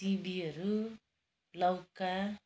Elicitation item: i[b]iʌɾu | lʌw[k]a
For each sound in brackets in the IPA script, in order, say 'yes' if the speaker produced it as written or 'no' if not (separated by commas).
yes, yes